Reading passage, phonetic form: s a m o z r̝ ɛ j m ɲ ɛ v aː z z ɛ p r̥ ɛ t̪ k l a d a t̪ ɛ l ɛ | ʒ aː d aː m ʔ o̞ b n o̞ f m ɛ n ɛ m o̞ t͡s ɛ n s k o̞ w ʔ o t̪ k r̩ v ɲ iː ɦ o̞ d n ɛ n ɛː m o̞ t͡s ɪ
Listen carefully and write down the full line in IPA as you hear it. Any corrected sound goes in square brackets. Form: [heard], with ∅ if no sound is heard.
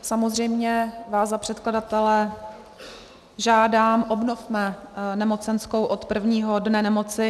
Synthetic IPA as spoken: s a m o z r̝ ɛ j m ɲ ɛ v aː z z [a] p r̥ ɛ t̪ k l a d a t̪ ɛ l ɛ | ʒ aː d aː m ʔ o̞ b n o̞ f m ɛ n ɛ m o̞ t͡s ɛ n s k o̞ w ʔ o t̪ [p] r̩ v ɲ iː ɦ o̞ d n ɛ n [ɛ] m o̞ t͡s ɪ

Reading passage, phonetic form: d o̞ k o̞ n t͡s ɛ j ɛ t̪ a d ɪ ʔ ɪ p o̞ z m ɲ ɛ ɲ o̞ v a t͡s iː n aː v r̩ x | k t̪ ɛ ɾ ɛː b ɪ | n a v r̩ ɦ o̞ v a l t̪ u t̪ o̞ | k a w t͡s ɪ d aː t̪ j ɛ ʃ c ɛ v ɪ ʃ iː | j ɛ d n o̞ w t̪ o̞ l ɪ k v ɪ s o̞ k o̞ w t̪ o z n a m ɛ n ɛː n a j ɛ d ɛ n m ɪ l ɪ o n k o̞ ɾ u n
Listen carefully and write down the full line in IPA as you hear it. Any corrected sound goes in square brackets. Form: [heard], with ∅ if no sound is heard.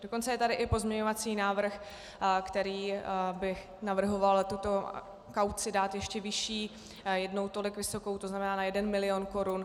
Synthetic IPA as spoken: d o̞ k o̞ n t͡s ɛ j ɛ t̪ a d ɪ ʔ ɪ p o̞ z m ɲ ɛ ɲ o̞ v a t͡s iː n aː v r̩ x | k t̪ ɛ ɾ [iː] b ɪ | n a v r̩ ɦ o̞ v a l t̪ u t̪ o̞ | k a w t͡s ɪ d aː t̪ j ɛ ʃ c ɛ v ɪ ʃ iː | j ɛ d n o̞ w t̪ o̞ l ɪ k v ɪ s o̞ k o̞ w t̪ o z n a m ɛ n [aː] n a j ɛ d ɛ n m ɪ l ɪ o n k o̞ ɾ u n

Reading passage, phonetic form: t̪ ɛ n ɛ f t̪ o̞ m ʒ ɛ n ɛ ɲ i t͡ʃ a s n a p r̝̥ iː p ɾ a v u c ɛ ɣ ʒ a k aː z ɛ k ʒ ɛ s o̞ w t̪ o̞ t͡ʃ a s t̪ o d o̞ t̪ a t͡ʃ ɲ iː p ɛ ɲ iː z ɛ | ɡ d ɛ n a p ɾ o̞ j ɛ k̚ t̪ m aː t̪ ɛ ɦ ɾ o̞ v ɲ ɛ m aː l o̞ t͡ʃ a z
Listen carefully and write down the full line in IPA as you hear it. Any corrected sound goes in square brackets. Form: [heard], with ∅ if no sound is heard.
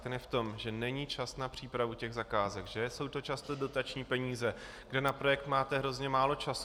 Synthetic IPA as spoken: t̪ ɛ n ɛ f t̪ o̞ m ʒ ɛ n ɛ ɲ i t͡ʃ a s n a p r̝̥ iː p ɾ a v u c ɛ ɣ [z] a k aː z ɛ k ʒ ɛ s o̞ w t̪ o̞ t͡ʃ a s t̪ o d o̞ t̪ a t͡ʃ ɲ iː p ɛ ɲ iː z ɛ | ɡ d ɛ n a p ɾ o̞ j ɛ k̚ t̪ m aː t̪ ɛ ɦ ɾ o̞ [z] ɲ ɛ m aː l o̞ t͡ʃ a [s]

